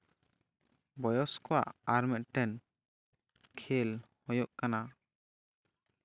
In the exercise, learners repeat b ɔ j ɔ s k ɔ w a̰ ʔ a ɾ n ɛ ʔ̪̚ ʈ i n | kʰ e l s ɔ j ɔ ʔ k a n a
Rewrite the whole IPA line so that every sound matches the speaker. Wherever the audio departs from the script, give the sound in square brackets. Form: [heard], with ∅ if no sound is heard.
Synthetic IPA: b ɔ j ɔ s k ɔ w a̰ ʔ a ɾ [m] ɛ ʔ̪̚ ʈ [ɛ] n | kʰ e l [h] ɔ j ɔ ʔ k a n a